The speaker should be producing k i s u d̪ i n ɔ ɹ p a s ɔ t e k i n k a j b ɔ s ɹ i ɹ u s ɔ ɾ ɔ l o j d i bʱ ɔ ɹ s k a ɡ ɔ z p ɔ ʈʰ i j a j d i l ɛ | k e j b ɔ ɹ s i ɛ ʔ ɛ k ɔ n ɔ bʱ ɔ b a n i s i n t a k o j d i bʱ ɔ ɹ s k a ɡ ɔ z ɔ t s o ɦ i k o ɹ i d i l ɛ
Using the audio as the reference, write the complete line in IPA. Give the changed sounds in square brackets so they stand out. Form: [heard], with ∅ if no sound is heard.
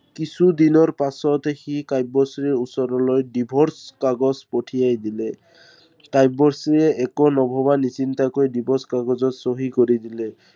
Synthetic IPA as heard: k i s u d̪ i n ɔ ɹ p a s ɔ t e [x] i [∅] k a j b ɔ s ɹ i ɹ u s ɔ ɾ ɔ l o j d i bʱ ɔ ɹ s k a ɡ ɔ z p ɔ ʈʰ i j a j d i l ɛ | k [a] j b ɔ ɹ s i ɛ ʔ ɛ k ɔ n ɔ bʱ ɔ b a n i s i n t a k o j d i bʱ ɔ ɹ s k a ɡ ɔ z ɔ t s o ɦ i k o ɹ i d i l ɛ